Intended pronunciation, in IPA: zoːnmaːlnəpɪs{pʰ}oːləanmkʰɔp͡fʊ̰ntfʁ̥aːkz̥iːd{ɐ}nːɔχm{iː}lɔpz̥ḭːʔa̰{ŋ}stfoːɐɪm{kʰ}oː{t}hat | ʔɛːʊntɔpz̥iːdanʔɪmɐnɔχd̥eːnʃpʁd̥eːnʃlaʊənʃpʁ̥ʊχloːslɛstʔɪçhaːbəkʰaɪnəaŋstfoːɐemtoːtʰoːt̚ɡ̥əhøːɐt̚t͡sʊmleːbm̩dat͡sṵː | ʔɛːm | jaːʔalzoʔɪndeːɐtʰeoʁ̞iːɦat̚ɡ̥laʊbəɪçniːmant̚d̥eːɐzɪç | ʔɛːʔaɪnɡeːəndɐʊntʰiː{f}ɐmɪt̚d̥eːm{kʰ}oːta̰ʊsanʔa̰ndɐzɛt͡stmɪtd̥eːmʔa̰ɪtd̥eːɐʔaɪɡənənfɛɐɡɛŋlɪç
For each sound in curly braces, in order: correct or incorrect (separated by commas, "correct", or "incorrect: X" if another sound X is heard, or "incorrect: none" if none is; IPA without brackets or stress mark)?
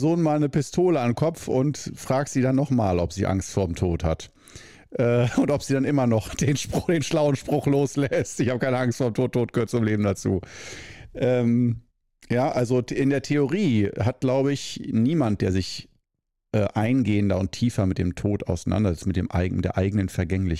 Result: incorrect: tʰ, incorrect: a, incorrect: aː, correct, incorrect: tʰ, correct, correct, incorrect: tʰ